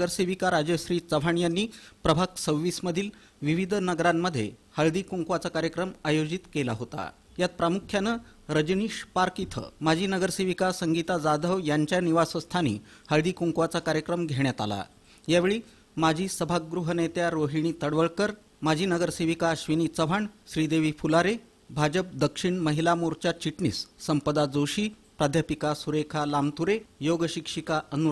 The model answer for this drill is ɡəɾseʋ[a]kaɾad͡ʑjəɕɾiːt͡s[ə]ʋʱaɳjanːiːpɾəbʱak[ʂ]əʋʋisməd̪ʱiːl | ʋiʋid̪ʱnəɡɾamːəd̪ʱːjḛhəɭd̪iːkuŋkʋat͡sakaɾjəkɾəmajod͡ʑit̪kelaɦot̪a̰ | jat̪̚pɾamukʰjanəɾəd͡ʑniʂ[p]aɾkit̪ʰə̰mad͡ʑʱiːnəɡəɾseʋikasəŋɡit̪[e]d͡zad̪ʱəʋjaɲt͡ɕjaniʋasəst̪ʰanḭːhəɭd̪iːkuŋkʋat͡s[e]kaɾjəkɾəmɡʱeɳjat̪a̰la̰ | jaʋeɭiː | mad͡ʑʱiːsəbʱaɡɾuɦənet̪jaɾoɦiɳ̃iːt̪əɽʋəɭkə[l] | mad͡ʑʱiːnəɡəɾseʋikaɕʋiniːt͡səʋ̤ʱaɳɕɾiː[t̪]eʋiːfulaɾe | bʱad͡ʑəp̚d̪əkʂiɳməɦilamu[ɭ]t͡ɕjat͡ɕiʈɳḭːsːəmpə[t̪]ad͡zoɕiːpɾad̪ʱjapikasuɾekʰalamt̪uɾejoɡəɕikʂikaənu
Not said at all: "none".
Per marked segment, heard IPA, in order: i, ə, s, p, a, a, ɾ, d̪, ɾ, d̪

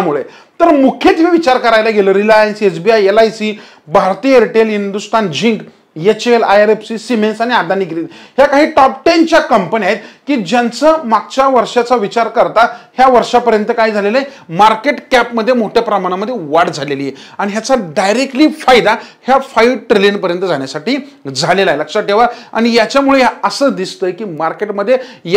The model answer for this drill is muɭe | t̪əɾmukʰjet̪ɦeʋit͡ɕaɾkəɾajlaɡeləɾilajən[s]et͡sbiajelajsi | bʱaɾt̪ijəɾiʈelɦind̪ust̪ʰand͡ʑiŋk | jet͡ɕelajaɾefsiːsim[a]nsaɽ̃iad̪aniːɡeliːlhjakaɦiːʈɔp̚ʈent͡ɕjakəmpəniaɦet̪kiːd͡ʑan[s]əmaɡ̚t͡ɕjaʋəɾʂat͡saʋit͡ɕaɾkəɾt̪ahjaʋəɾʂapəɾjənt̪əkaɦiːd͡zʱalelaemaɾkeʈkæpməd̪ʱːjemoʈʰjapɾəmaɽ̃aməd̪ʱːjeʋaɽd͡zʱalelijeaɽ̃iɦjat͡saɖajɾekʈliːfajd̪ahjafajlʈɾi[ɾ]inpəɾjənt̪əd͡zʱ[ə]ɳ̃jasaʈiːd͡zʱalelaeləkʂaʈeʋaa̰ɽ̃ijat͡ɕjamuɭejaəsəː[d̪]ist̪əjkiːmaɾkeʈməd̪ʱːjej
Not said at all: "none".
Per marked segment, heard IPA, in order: s, e, t͡s, l, a, d̪

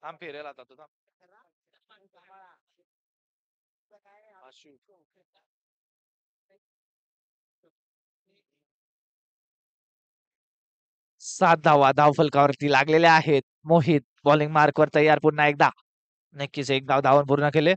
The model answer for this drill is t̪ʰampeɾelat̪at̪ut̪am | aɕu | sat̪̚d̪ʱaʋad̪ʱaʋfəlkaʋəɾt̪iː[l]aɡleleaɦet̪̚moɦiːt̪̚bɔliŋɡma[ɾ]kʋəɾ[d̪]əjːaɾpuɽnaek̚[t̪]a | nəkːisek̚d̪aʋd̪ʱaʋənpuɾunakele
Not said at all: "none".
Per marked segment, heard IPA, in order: l, ɾ, t̪, d̪

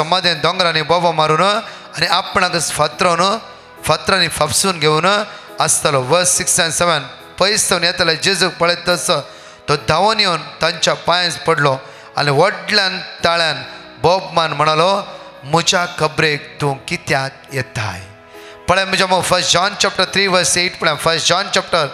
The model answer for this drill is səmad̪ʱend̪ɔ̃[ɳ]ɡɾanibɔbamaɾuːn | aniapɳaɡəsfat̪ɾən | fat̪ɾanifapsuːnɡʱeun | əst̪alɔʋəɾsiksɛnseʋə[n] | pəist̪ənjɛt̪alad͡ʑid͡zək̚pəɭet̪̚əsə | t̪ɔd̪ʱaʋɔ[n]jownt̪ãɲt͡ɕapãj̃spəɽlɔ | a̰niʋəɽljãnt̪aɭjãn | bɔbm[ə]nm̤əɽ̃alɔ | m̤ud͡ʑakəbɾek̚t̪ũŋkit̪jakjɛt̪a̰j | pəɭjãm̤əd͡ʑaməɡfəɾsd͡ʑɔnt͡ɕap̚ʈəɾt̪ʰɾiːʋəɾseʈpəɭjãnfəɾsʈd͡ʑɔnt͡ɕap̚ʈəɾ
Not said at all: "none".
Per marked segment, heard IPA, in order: ŋ, n, n, a

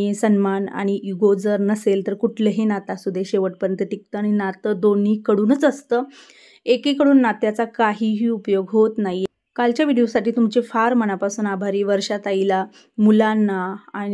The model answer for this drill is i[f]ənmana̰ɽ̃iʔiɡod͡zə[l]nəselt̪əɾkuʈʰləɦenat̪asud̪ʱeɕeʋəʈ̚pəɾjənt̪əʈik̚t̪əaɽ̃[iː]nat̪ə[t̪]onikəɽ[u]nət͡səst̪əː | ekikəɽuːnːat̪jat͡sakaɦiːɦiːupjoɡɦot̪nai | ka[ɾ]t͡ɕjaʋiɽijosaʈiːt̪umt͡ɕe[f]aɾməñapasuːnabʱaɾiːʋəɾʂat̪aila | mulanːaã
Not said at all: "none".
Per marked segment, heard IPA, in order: s, ɾ, i, d̪, uː, l, f

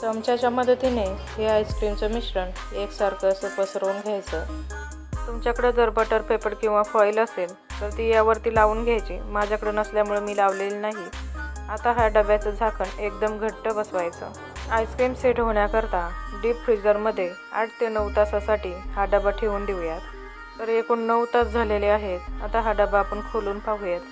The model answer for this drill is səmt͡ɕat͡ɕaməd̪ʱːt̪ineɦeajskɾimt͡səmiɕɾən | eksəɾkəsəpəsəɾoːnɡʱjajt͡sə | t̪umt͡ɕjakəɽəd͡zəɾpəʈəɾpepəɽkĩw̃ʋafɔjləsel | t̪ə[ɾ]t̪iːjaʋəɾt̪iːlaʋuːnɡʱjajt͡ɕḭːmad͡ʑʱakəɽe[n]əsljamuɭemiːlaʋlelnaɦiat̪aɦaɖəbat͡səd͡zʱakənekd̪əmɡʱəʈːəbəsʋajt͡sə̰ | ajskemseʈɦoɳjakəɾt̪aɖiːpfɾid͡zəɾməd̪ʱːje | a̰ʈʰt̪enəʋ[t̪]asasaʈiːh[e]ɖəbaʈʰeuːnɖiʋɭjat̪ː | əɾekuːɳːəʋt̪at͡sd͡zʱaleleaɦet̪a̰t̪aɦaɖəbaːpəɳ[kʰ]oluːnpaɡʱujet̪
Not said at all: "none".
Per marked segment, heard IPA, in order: ɾ, n, t̪, a, kʰ

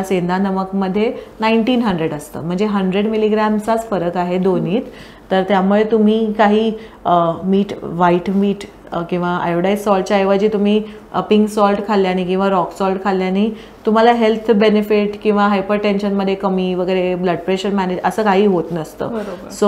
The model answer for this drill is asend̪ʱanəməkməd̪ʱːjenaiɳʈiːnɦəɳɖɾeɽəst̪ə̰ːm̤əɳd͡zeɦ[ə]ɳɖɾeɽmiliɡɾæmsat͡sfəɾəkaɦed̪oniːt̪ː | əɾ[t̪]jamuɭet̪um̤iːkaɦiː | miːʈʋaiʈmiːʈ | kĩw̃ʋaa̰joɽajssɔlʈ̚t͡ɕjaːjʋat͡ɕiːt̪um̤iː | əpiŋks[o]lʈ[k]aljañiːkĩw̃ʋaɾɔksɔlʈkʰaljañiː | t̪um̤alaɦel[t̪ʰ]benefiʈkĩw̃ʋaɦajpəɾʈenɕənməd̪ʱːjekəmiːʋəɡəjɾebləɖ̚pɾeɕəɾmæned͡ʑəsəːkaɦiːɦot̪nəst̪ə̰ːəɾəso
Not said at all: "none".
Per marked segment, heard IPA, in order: ə, t̪, ɔ, kʰ, t̪ʰ

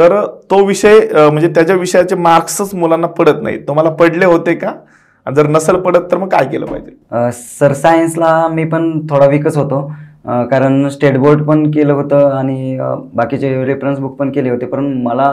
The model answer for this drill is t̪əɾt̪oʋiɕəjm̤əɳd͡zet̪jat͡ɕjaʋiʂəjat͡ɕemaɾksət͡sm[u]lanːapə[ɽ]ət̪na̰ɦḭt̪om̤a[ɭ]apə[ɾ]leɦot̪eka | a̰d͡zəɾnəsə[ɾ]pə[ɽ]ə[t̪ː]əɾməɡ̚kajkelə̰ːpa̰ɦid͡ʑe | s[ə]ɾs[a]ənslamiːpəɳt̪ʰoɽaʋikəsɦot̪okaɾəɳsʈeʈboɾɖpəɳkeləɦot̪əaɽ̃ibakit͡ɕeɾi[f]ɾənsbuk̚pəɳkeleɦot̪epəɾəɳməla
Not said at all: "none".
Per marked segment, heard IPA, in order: u, ɽ, l, ɽ, l, ɽ, t̪ː, ə, a, f

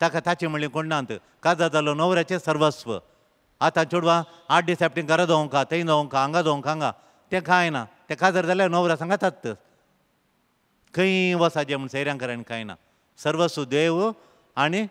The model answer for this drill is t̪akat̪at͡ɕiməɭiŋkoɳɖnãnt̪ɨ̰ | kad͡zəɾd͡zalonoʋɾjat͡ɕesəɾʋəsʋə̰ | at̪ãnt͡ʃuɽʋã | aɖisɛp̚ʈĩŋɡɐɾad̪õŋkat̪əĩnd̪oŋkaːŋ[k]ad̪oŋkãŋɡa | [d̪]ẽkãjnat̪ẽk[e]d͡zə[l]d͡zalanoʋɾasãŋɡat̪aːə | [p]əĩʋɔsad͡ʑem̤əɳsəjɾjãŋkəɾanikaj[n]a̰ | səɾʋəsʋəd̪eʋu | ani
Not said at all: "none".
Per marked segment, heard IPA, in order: ɡ, t̪, a, ɾ, k, n

